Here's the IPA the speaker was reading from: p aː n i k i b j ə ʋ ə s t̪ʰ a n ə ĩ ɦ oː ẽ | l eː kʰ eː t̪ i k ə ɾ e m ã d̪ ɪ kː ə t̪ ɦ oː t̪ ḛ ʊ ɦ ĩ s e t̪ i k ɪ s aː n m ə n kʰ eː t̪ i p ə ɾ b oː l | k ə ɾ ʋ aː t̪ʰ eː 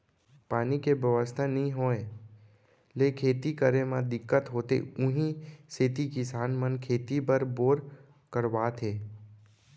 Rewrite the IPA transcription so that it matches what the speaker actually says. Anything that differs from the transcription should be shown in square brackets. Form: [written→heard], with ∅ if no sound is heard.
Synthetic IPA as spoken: p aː n i k [i→e] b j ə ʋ ə s t̪ʰ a n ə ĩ ɦ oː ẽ | l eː kʰ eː t̪ i k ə ɾ e m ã d̪ ɪ kː ə t̪ ɦ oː t̪ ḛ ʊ ɦ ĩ s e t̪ i k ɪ s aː n m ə n kʰ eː t̪ i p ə ɾ b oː [l→ɾ] | k ə ɾ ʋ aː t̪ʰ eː